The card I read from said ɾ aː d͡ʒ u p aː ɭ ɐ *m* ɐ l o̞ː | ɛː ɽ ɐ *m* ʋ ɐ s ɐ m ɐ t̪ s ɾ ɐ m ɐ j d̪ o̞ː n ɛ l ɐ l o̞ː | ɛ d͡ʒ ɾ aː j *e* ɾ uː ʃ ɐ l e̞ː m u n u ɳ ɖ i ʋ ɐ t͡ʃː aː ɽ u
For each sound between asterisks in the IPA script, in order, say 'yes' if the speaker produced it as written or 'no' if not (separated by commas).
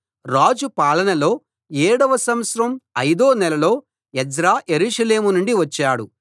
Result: no, no, yes